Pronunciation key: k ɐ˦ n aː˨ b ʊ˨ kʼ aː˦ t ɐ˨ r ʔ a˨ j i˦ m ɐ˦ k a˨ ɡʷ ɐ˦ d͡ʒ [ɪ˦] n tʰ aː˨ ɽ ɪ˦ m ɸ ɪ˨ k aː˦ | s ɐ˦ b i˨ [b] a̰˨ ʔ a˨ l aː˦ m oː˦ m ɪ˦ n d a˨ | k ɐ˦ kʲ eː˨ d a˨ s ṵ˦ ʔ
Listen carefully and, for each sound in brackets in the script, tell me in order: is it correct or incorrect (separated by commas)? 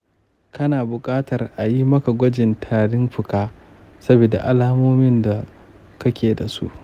incorrect, incorrect